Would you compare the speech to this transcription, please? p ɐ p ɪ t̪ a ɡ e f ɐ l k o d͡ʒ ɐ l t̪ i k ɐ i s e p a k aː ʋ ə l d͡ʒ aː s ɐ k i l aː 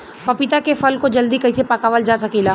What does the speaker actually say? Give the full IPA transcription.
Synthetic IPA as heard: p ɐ p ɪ t̪ a k e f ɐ l k o d͡ʒ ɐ l d̪ i k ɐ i s e p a k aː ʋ ə l d͡ʒ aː s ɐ k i l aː